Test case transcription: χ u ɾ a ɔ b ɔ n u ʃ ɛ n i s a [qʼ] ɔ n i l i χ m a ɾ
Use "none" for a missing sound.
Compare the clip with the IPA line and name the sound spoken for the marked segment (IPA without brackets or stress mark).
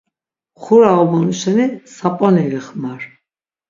pʼ